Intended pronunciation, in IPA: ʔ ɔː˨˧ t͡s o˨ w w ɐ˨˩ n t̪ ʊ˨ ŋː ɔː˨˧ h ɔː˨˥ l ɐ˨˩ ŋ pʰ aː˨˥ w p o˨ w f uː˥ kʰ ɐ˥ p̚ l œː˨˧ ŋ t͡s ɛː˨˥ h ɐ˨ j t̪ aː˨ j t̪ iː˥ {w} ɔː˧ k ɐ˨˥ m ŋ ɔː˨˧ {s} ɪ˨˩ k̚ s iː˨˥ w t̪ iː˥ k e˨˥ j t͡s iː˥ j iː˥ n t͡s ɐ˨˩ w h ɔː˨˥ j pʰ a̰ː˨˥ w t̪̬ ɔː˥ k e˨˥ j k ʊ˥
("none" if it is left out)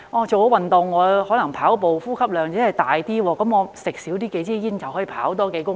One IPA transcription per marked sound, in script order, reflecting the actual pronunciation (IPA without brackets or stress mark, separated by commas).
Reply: w, s